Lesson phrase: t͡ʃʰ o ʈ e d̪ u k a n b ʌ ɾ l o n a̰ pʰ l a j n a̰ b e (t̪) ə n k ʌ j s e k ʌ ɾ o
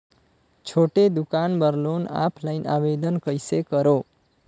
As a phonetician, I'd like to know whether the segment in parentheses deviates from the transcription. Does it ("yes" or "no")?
yes